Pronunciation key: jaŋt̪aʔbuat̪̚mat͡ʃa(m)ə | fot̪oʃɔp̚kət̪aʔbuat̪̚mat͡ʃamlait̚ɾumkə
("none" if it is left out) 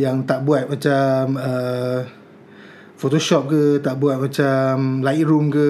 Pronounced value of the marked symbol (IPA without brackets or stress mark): m